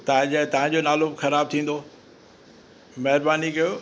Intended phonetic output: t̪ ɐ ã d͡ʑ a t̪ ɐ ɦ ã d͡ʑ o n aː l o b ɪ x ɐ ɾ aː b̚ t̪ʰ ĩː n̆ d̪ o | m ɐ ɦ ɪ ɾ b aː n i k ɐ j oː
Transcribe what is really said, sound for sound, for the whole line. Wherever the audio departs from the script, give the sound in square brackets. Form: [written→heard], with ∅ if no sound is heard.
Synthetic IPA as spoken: t̪ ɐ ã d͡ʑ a t̪ ɐ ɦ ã d͡ʑ o n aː l o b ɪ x ɐ ɾ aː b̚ t̪ʰ ĩː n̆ d̪ o | m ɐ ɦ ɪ ɾ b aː n i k ɐ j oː

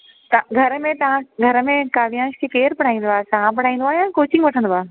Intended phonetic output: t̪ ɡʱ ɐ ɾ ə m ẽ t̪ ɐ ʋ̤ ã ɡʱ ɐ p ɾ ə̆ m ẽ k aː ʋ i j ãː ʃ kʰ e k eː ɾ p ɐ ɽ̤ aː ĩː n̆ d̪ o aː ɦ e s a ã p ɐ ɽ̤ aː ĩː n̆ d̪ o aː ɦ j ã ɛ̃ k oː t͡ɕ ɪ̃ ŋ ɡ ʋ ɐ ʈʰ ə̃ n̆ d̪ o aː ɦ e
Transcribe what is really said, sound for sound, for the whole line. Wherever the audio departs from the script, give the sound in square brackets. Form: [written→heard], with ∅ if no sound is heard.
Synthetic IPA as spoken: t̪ ɡʱ ɐ ɾ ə m ẽ t̪ ɐ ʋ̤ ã ɡʱ ɐ [p→∅] ɾ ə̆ m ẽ k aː ʋ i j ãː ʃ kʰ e k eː ɾ p ɐ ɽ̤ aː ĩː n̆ d̪ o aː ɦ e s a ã p ɐ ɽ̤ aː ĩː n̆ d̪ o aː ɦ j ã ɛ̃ k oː t͡ɕ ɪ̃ ŋ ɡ ʋ ɐ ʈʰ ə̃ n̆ d̪ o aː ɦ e

